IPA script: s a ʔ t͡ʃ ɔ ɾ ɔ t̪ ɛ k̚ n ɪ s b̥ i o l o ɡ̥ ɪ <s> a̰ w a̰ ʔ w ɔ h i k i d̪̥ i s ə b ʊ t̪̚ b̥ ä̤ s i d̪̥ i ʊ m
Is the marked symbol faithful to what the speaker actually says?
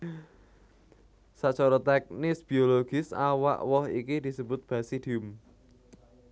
yes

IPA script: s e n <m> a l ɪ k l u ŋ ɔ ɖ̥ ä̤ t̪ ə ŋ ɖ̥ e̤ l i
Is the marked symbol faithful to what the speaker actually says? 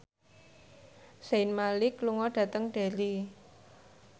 yes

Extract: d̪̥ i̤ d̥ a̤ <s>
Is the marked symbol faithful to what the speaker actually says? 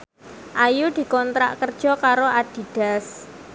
yes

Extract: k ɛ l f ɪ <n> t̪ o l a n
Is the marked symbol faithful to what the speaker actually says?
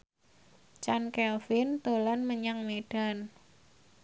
yes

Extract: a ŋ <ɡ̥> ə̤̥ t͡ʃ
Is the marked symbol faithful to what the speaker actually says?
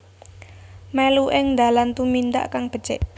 no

